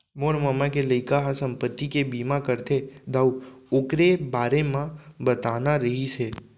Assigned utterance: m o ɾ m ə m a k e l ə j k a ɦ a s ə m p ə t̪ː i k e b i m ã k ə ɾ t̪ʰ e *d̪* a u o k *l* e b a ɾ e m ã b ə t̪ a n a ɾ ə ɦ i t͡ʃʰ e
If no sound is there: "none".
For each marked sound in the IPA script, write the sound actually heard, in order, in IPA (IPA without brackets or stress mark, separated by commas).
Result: d̪, ɾ